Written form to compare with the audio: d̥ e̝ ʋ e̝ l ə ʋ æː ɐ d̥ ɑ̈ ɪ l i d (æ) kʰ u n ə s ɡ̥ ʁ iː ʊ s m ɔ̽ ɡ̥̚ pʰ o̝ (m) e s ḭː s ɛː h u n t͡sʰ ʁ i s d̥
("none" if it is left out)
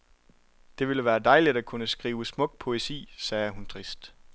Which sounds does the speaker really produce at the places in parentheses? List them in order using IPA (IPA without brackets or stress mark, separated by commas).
æ, none